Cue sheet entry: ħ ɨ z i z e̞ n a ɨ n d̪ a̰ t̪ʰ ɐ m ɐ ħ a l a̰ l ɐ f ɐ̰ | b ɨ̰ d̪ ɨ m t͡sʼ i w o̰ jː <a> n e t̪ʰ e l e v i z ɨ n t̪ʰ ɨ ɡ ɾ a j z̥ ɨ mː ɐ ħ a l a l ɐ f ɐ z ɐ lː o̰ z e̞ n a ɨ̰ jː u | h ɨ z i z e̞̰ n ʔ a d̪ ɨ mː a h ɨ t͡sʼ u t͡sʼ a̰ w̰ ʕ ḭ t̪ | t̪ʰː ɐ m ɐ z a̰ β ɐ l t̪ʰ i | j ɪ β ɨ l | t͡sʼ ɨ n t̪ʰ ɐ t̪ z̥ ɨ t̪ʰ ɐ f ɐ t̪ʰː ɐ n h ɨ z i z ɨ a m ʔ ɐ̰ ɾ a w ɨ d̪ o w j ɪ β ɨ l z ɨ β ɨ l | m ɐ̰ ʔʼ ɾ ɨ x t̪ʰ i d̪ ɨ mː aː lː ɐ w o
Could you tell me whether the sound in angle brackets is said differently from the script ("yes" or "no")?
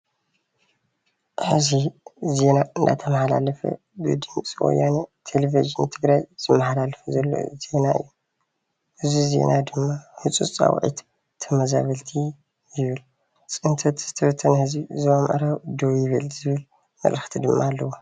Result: no